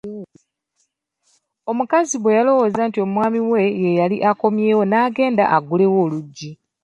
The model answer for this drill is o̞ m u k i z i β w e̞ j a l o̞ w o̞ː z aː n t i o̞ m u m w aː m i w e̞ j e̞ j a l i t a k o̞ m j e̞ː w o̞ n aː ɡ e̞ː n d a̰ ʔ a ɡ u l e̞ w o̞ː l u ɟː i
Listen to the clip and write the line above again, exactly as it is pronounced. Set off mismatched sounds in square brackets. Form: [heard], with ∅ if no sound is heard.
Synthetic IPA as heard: o̞ m u k [a] z i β w e̞ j a l o̞ w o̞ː z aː n t i o̞ m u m w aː m i w e̞ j e̞ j a l i [ʔ] a k o̞ m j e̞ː w o̞ n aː ɡ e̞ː n d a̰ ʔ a ɡ u l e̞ w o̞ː l u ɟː i